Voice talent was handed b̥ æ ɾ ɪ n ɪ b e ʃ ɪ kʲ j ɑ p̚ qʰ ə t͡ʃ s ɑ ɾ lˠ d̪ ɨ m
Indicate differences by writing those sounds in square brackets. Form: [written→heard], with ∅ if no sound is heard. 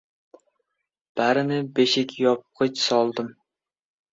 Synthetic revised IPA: b̥ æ ɾ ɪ n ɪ b e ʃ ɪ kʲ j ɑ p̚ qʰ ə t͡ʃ s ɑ [ɾ→∅] lˠ d̪ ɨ m